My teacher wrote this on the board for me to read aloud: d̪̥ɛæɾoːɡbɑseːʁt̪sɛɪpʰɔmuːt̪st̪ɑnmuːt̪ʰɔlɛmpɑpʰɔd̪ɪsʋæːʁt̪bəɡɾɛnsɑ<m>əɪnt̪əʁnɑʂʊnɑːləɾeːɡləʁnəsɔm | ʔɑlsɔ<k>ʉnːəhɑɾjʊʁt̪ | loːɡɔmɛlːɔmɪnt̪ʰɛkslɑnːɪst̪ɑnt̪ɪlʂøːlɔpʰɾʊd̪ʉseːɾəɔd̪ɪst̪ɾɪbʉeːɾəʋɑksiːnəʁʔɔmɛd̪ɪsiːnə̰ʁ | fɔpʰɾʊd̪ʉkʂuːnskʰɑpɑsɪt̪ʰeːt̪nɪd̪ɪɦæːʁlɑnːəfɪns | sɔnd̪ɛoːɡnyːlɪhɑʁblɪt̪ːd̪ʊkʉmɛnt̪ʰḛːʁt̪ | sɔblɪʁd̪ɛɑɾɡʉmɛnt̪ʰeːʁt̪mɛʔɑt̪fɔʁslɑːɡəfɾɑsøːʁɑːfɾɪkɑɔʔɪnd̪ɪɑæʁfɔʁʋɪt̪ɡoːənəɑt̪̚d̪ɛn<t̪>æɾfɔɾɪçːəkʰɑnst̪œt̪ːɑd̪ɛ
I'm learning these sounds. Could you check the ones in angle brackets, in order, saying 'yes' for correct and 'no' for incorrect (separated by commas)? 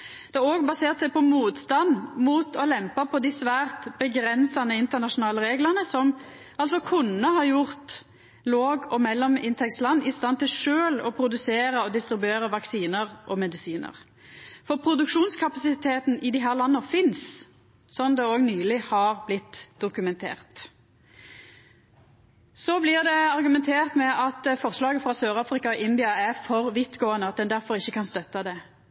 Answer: no, no, no